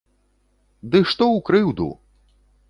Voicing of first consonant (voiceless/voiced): voiced